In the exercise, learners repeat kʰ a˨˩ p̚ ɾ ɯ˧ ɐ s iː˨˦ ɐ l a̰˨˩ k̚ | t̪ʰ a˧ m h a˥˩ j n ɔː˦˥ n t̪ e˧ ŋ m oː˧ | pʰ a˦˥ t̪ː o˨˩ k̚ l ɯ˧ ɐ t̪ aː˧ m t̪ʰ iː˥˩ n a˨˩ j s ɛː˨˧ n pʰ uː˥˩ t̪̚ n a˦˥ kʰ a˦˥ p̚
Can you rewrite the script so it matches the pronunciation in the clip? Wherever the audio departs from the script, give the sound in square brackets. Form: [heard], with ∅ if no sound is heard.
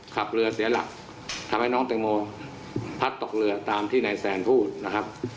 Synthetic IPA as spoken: kʰ a˨˩ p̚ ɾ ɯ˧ ɐ s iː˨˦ ɐ l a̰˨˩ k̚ | t̪ʰ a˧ m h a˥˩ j n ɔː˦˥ [ŋ] t̪ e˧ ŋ m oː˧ | pʰ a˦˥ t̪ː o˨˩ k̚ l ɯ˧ ɐ t̪ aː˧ m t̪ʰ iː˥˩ n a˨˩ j s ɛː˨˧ n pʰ uː˥˩ t̪̚ n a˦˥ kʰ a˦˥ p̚